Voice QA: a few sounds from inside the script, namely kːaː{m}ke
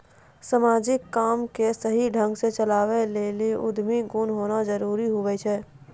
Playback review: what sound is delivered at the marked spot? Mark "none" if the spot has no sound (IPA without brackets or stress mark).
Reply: m